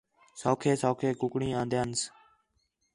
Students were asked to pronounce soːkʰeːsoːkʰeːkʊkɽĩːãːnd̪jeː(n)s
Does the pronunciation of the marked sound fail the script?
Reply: no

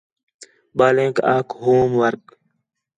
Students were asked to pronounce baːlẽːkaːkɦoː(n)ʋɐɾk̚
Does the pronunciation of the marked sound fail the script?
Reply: yes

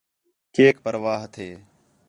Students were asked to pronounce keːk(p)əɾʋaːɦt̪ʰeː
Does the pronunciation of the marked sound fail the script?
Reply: no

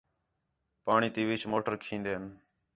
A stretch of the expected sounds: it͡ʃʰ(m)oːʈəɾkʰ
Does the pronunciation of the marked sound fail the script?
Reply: no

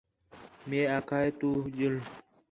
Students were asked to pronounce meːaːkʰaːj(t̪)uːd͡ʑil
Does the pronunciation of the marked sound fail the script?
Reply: no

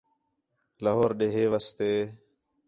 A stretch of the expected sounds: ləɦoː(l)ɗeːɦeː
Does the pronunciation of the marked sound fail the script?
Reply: yes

